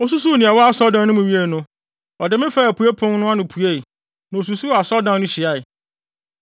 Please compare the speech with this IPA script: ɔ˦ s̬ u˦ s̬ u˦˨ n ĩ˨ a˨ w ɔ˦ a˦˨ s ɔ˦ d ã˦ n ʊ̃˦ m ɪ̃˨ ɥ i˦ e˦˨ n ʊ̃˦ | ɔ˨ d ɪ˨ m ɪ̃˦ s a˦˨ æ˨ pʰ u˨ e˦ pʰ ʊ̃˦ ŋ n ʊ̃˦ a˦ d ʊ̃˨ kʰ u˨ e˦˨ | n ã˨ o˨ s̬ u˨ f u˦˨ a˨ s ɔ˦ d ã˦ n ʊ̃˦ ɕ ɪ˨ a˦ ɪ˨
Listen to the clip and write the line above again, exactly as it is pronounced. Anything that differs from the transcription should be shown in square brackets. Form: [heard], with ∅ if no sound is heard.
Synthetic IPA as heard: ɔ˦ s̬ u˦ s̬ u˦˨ n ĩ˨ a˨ w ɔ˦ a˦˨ s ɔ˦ d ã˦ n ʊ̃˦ m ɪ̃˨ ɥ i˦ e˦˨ n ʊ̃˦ | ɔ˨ d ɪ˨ m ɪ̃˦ [f] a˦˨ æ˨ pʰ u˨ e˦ pʰ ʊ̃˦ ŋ n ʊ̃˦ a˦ [n] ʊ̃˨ [pʰ] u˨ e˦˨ | n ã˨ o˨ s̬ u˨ [s] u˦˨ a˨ s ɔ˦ d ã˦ n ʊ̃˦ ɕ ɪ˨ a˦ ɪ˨